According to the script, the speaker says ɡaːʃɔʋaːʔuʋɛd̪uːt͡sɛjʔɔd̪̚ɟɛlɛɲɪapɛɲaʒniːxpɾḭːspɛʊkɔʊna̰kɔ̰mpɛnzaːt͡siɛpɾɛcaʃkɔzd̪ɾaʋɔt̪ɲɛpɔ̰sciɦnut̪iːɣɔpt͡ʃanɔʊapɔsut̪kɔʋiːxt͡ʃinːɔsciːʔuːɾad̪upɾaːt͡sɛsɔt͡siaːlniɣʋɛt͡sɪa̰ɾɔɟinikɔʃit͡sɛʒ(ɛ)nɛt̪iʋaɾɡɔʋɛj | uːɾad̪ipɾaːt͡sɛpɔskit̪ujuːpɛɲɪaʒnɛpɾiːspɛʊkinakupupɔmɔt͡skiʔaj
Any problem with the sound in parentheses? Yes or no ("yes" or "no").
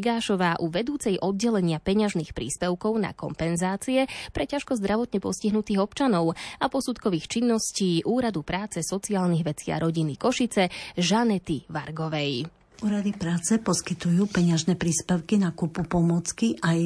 yes